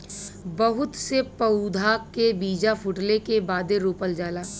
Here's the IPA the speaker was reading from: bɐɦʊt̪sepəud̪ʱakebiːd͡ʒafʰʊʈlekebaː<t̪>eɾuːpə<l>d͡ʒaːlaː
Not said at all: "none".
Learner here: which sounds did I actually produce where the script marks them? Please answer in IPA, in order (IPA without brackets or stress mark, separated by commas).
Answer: d̪, l